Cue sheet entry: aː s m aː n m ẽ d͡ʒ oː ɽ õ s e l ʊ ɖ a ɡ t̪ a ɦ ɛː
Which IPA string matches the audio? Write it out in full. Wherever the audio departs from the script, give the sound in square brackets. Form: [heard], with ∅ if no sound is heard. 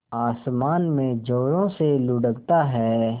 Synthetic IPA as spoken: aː s m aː n m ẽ d͡ʒ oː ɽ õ s e l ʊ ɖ [ə] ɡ t̪ a ɦ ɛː